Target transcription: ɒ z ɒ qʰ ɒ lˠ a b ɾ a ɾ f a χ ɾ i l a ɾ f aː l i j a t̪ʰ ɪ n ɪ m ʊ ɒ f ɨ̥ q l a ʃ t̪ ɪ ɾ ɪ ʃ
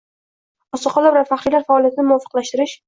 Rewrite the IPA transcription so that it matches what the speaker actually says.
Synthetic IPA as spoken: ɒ s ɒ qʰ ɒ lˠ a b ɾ a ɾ f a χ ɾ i l a ɾ f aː l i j a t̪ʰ ɪ n ɪ m ʊ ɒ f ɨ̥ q l a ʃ t̪ ɪ ɾ ɪ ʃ